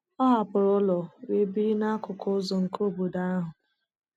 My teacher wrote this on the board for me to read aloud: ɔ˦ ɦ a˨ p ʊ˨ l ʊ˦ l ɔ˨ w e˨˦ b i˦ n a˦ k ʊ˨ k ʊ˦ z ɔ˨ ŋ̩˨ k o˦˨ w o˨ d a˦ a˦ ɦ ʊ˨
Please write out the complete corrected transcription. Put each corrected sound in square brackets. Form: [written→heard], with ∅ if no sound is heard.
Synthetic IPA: ɔ˦ ɦ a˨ p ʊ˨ [l→ɾ] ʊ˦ l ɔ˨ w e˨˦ b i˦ n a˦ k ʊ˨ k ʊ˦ z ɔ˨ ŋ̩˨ k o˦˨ [w→b] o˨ d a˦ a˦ ɦ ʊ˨